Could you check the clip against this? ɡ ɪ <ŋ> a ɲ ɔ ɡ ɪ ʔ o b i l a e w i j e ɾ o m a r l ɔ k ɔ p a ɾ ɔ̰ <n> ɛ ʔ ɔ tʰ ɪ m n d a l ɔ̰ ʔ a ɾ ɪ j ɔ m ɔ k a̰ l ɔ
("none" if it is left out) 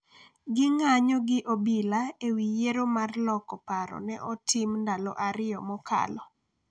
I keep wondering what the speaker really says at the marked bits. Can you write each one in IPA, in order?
ŋ, n

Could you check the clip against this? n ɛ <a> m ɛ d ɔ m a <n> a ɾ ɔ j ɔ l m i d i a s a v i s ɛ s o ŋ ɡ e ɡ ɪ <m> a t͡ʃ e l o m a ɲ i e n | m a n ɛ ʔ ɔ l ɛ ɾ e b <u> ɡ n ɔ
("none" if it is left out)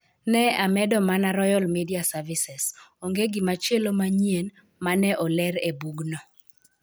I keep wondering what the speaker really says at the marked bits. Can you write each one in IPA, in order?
a, n, m, u

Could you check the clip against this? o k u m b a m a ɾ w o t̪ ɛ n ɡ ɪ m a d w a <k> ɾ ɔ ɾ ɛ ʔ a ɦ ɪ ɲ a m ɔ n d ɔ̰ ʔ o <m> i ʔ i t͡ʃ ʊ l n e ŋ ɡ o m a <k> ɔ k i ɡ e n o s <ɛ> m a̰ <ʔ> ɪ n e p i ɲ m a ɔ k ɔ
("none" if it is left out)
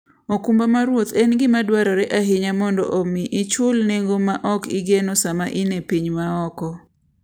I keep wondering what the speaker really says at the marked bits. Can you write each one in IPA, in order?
none, m, ʔ, a, ʔ

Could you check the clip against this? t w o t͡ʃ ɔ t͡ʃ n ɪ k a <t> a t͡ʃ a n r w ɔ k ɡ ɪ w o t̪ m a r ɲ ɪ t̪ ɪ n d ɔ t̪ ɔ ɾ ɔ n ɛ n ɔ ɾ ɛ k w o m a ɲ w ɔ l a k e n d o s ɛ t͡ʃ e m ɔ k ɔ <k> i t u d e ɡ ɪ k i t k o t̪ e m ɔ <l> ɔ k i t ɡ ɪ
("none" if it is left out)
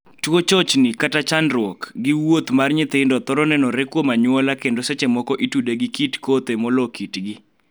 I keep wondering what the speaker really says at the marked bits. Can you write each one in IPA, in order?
t, ʔ, l

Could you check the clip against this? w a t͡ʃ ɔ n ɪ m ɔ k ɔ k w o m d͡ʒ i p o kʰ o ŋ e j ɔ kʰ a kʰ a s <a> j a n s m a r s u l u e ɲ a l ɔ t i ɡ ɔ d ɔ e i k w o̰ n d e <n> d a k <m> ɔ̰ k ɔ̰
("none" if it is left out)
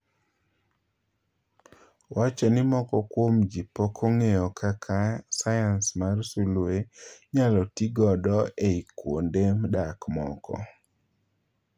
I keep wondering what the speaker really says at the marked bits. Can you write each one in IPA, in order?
a, m, m

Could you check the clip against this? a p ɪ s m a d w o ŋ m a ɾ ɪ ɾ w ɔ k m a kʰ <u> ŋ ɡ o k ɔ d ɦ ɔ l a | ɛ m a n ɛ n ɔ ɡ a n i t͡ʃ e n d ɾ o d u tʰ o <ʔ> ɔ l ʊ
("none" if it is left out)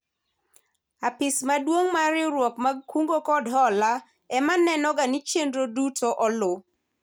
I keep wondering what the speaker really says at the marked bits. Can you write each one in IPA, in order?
u, ʔ

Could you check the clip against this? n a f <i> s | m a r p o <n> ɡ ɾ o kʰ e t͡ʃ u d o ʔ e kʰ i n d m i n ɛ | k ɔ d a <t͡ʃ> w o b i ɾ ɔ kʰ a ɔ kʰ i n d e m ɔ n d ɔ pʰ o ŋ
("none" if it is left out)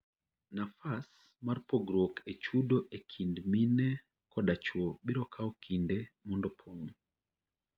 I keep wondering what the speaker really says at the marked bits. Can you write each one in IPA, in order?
a, none, t͡ʃ

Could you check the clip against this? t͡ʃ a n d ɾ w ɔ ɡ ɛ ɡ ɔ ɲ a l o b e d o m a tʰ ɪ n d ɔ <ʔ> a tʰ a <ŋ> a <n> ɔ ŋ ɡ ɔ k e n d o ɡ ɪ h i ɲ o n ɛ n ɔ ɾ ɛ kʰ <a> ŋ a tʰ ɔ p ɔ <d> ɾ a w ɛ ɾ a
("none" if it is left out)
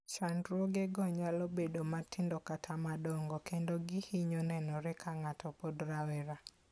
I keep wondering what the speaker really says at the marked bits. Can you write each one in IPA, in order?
k, m, d, a, d

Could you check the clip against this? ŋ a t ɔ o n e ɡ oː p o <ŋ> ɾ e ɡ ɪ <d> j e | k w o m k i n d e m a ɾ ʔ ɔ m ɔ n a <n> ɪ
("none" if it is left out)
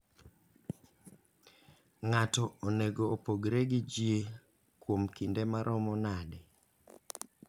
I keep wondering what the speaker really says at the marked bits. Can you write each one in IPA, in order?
ɡ, d͡ʒ, d

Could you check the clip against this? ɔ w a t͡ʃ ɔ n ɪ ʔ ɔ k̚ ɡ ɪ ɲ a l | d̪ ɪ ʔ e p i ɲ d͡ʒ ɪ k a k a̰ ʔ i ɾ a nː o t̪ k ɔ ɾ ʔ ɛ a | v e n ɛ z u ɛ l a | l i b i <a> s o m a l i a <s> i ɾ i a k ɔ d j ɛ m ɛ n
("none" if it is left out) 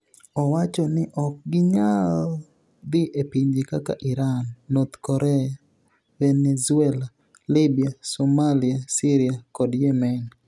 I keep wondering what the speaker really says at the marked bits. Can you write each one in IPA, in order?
a, s

